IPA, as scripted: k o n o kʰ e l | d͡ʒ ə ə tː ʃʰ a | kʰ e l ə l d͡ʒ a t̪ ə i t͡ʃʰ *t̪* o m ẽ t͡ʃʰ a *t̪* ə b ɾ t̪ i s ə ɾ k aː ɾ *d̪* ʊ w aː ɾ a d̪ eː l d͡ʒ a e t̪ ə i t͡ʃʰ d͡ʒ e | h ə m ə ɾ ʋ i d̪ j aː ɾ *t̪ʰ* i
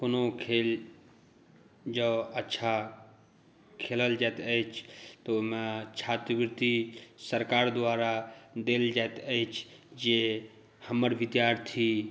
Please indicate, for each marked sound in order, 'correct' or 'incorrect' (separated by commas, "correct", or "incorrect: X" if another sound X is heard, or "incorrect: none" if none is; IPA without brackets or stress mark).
correct, correct, correct, correct